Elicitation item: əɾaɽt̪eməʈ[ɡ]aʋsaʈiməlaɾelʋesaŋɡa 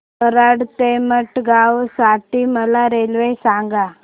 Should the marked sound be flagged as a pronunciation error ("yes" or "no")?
no